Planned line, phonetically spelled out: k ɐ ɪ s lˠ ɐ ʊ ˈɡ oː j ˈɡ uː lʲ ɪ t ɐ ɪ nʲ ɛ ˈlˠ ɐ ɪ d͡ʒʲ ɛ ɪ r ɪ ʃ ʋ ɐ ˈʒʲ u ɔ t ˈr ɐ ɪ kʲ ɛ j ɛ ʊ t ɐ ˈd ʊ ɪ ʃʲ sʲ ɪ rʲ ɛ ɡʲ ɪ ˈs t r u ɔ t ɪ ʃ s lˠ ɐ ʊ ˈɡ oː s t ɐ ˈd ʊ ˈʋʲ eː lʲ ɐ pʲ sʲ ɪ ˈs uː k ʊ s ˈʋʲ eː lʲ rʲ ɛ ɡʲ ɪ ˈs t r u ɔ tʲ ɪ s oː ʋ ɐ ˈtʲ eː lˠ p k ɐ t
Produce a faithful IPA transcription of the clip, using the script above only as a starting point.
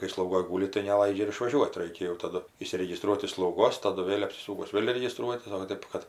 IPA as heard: k ɐ ɪ s lˠ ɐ ʊ ˈɡ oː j ˈɡ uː lʲ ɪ t ɐ ɪ nʲ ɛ ˈlˠ ɐ ɪ d͡ʒʲ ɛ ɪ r ɪ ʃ ʋ ɐ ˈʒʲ u ɔ t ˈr ɐ ɪ kʲ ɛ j ɛ ʊ t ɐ ˈd ʊ ɪ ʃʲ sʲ ɪ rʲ ɛ ɡʲ ɪ ˈs t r u ɔ t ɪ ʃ s lˠ ɐ ʊ ˈɡ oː s t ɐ ˈd ʊ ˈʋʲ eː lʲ ɐ pʲ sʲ ɪ ˈs uː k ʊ s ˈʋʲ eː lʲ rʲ ɛ ɡʲ ɪ ˈs t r u ɔ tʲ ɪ s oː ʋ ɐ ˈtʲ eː p k ɐ t